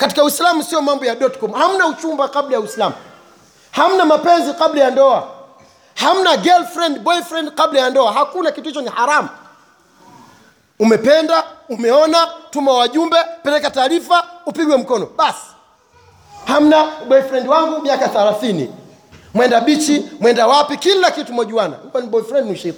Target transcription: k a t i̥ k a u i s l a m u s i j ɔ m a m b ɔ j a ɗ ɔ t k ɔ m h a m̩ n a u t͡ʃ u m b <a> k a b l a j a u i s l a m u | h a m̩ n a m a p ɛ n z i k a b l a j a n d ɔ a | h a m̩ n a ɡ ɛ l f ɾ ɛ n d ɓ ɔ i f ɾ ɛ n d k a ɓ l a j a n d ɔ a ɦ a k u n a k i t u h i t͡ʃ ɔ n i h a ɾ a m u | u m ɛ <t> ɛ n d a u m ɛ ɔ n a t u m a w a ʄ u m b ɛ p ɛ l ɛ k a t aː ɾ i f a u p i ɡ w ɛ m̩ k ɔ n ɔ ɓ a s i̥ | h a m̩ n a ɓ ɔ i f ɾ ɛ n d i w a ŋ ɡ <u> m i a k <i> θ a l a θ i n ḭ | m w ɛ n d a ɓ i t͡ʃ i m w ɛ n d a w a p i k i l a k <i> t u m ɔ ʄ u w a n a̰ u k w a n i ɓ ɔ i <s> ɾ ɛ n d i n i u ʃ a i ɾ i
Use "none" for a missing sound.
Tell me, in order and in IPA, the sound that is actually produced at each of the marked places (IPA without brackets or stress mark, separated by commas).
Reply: a, p, u, a, i, f